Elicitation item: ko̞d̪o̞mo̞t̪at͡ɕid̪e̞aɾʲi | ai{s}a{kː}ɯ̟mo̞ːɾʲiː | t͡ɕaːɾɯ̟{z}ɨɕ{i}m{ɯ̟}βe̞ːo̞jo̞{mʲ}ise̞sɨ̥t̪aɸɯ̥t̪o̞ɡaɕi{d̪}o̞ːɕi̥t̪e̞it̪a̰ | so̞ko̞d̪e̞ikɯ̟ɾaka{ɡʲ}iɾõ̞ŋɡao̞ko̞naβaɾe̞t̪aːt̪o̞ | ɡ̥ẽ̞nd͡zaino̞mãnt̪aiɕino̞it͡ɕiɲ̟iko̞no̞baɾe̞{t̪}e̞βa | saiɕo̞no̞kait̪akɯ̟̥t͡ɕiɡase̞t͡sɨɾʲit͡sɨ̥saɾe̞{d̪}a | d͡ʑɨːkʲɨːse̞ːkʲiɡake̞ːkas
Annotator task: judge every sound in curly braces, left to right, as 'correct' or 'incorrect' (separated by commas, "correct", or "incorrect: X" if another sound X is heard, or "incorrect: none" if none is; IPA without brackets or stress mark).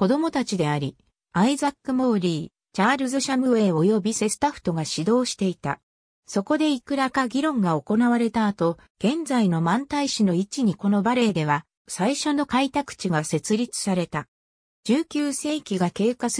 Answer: incorrect: z, correct, correct, incorrect: a, correct, incorrect: bʲ, correct, correct, incorrect: d̪, incorrect: t̪